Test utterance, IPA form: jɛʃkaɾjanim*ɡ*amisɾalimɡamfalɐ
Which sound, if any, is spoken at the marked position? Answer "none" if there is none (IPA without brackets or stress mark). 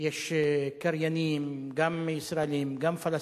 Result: ɡ